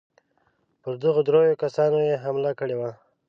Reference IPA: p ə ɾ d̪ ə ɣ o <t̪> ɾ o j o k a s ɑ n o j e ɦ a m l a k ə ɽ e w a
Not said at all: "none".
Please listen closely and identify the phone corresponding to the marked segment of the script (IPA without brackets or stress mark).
d̪